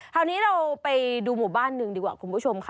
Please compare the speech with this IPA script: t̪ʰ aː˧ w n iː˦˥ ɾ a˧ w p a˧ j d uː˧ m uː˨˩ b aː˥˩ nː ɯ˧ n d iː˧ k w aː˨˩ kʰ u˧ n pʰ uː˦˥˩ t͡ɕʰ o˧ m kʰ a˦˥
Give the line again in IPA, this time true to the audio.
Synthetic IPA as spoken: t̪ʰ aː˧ w n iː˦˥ ɾ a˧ w p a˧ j d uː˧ m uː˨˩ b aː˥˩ nː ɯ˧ ŋ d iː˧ k w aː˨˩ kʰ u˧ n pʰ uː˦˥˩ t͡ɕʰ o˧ m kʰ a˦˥